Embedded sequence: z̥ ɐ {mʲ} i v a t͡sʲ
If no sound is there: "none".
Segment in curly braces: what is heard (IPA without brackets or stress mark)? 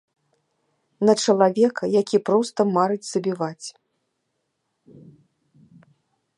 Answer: bʲ